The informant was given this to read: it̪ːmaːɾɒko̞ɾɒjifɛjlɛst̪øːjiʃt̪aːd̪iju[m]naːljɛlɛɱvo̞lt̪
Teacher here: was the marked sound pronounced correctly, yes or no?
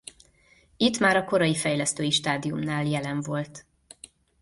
yes